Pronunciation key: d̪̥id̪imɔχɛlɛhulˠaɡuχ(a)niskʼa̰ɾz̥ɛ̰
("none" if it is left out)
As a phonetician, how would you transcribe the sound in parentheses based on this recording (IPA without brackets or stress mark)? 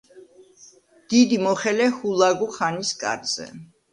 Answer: a